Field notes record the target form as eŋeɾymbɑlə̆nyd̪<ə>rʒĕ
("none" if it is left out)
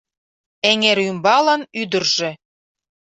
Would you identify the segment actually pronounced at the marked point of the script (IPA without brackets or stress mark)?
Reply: ə